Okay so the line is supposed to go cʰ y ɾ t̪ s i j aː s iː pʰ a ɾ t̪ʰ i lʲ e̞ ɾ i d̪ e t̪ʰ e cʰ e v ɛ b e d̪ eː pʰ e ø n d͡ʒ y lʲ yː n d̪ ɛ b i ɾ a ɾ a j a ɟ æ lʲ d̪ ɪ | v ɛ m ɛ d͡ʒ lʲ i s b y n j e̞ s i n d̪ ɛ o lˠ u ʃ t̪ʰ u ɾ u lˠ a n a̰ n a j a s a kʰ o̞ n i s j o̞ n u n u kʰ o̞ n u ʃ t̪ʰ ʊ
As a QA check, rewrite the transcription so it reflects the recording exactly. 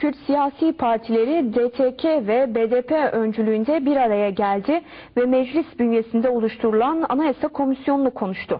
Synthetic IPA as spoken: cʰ y ɾ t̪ s i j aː s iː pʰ a ɾ t̪ʰ i lʲ e̞ ɾ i d̪ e t̪ʰ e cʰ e v ɛ b e d̪ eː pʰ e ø n d͡ʒ y lʲ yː n d̪ ɛ b i ɾ a ɾ a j a ɟ æ lʲ d̪ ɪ | v ɛ m ɛ d͡ʒ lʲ i s b y n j e̞ s i n d̪ ɛ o lˠ u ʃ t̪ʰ u ɾ u lˠ a n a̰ n a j a s a kʰ o̞ m i s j o̞ n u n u kʰ o̞ n u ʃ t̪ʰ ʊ